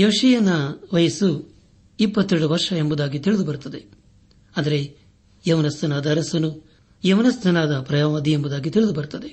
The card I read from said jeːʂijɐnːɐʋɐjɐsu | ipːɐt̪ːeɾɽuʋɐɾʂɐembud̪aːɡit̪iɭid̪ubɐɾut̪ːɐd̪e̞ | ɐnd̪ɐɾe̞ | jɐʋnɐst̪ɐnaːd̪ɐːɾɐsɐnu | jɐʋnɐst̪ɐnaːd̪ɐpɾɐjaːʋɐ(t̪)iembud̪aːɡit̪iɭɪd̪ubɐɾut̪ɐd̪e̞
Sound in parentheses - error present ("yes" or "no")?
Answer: yes